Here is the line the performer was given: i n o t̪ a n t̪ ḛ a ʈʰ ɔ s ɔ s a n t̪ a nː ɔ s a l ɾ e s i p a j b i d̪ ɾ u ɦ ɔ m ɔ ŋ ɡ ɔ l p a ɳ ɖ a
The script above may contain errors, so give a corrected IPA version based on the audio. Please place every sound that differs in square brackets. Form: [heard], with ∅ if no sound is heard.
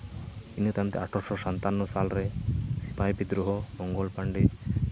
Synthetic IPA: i n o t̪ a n t̪ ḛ a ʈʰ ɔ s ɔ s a n t̪ a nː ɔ s a l ɾ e s i p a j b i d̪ ɾ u ɦ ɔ m ɔ ŋ ɡ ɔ l p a ɳ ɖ [i]